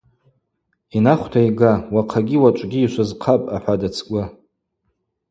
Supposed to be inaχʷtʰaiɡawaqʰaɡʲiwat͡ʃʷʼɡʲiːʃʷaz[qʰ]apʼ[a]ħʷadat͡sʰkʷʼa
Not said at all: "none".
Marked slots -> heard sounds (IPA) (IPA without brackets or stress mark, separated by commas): qʰ, a